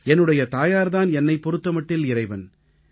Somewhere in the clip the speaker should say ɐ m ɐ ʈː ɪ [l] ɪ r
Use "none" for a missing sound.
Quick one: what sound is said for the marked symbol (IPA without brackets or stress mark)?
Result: l